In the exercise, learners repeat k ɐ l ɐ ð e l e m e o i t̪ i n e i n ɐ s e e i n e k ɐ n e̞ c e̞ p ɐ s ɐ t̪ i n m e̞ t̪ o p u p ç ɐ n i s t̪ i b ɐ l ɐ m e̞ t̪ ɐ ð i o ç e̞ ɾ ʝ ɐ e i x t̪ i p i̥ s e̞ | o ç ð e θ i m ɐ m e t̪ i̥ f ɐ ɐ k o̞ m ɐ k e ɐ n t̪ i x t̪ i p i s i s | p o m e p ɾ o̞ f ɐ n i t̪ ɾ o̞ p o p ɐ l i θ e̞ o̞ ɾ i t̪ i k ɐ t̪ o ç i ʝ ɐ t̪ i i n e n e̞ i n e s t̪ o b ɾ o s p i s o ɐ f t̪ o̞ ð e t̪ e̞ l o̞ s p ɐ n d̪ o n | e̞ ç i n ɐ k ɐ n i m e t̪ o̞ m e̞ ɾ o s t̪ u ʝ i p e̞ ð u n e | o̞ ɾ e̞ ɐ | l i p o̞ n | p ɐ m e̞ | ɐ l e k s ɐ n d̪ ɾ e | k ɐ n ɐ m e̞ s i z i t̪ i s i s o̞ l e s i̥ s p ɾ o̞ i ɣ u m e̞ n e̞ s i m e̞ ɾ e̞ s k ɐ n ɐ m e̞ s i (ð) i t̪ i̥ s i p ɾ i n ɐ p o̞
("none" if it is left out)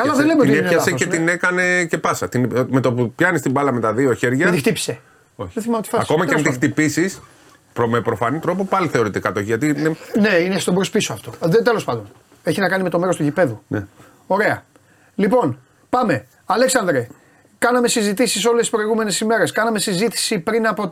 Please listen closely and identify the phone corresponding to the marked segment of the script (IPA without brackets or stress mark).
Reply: z